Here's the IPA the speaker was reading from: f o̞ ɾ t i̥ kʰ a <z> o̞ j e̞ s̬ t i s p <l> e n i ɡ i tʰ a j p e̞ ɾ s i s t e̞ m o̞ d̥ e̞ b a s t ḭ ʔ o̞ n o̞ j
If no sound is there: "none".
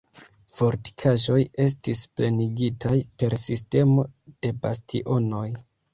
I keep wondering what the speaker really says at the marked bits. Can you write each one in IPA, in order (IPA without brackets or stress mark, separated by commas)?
ʒ, l